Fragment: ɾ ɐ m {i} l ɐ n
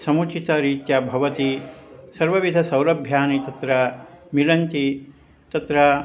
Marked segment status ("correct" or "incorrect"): correct